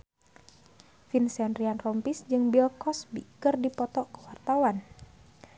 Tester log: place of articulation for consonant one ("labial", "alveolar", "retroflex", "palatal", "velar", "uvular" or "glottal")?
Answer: labial